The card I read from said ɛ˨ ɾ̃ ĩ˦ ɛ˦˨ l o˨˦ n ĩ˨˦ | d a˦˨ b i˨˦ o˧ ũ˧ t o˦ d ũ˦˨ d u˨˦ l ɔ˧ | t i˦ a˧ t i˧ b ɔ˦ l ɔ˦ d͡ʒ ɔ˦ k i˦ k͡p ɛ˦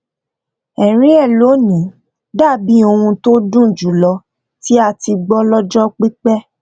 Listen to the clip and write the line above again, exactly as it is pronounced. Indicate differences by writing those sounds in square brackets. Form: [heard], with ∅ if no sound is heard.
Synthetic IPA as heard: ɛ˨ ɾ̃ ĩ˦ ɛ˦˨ l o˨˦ n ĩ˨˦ | d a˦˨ b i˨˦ o˧ ũ˧ t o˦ d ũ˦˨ [d͡ʒ] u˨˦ l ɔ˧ | t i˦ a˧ t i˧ [ɡ͡b] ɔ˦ l ɔ˦ d͡ʒ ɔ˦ [k͡p] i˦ k͡p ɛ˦